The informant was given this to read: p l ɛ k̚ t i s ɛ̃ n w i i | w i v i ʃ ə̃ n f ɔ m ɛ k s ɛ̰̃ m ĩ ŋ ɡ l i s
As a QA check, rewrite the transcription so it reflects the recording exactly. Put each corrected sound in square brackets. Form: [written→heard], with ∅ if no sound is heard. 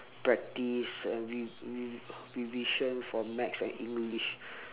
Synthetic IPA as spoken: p [l→ɹ] ɛ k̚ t i s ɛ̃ n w i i | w i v i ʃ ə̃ n f ɔ m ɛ k s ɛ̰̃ [m→n] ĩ ŋ ɡ l i [s→ʃ]